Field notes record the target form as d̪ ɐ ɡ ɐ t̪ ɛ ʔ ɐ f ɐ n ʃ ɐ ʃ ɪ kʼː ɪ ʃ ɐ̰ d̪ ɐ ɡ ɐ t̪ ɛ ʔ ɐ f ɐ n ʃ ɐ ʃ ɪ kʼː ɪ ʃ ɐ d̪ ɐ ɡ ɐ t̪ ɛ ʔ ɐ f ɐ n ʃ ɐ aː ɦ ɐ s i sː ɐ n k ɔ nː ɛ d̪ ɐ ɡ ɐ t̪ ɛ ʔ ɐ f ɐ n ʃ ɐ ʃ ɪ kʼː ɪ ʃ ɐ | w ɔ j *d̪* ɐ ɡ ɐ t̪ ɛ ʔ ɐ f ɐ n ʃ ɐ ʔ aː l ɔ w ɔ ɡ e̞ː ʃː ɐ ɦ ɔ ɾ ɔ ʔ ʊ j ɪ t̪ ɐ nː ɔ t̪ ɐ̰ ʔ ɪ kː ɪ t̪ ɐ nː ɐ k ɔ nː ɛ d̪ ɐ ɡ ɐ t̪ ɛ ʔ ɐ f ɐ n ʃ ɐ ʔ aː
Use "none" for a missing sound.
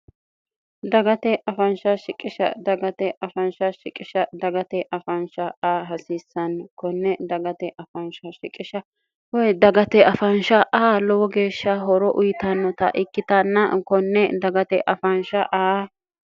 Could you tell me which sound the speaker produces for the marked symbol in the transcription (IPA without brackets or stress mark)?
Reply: d̪